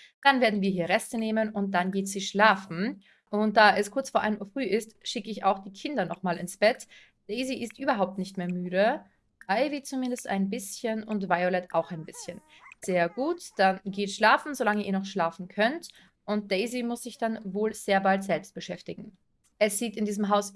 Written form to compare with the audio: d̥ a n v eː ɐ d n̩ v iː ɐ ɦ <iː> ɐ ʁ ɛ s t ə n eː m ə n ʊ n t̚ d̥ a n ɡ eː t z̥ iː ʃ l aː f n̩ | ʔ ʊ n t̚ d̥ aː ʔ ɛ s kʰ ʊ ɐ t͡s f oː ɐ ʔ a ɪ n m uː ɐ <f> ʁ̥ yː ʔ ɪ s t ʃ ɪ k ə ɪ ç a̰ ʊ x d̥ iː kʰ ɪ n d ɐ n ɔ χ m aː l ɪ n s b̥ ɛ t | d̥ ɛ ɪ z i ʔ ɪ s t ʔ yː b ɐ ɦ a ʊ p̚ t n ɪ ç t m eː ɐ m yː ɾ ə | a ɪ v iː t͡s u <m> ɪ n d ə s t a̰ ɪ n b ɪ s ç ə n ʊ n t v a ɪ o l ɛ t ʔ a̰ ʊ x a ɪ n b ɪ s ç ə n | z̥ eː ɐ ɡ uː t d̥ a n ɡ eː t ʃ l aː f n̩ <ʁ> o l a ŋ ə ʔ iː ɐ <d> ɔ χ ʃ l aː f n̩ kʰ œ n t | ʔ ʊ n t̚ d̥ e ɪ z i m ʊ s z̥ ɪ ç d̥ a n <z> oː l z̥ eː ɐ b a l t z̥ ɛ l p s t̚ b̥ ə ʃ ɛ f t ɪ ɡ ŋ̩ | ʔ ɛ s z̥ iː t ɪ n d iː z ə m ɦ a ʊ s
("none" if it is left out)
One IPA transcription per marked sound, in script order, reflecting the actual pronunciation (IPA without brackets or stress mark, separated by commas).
iː, f, m, z, n, v